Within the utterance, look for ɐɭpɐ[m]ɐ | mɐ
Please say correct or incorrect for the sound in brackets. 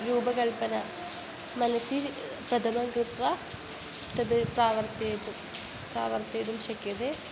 incorrect